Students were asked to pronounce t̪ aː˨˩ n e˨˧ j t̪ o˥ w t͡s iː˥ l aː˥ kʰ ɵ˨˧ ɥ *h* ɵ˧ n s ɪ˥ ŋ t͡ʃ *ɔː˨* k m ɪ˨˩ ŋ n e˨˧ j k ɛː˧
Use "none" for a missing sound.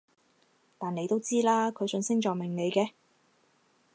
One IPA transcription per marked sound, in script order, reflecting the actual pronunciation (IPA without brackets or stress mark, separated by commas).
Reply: s, ɔː˨